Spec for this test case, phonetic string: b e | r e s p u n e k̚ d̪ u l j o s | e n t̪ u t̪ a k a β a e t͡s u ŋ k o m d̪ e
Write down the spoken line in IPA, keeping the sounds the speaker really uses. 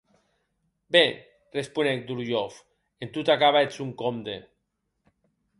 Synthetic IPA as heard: b e | r e s p u n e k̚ d̪ u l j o f | e n t̪ u t̪ a k a β a e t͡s u ŋ k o m d̪ e